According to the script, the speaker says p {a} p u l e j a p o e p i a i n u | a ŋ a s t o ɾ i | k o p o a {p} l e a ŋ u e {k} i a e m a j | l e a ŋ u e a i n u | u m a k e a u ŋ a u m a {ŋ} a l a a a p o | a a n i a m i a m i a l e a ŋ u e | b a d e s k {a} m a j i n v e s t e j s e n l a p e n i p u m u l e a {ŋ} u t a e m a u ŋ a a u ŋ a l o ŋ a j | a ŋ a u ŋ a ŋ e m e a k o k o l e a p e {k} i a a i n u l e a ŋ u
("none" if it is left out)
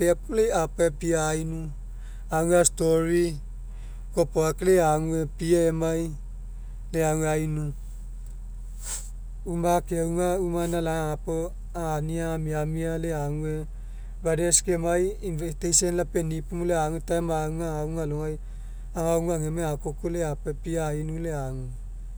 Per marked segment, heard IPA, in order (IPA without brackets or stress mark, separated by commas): e, k, p, n, e, ŋ, p